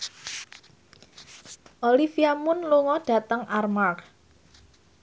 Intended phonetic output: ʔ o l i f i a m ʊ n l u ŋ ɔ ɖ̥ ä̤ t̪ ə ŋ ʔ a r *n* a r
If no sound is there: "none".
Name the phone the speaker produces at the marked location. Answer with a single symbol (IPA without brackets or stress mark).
m